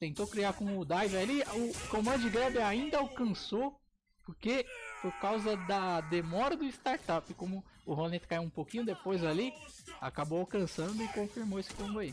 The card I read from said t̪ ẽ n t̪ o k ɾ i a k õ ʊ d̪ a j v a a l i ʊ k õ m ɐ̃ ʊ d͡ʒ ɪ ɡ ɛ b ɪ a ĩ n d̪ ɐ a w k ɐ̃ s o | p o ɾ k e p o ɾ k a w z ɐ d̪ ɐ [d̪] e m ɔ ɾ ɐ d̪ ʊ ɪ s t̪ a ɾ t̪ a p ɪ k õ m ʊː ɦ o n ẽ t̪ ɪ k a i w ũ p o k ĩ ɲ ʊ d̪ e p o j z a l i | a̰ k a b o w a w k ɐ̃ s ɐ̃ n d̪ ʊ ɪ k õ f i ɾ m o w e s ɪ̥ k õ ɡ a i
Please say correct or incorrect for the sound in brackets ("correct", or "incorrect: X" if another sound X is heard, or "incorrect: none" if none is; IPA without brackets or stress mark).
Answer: correct